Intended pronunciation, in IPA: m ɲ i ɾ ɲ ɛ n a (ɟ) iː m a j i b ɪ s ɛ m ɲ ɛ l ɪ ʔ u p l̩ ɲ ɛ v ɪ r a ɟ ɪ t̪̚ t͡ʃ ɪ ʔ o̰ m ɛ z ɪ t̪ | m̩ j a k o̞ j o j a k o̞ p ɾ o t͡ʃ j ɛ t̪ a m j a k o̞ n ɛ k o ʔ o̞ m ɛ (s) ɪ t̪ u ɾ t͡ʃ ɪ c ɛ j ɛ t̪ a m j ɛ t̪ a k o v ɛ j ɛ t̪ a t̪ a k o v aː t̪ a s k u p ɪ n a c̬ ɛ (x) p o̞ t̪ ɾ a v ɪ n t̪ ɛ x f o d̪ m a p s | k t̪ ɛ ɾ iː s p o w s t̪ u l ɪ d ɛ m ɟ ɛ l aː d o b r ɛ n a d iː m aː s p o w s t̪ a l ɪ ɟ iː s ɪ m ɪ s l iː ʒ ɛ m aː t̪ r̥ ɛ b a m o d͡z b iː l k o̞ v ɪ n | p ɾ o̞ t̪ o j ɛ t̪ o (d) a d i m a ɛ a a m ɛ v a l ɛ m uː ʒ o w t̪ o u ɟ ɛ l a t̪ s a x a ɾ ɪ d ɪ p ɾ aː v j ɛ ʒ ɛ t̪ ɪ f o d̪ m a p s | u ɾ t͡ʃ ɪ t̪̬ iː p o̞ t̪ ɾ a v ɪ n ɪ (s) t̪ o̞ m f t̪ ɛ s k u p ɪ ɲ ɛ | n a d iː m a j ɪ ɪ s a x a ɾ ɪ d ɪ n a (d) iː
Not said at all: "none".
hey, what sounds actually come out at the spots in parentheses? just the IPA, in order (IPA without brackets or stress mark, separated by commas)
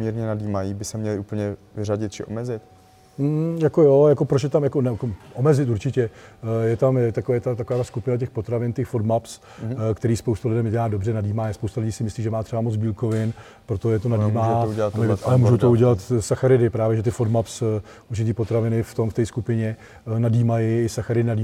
d, z, x, n, f, d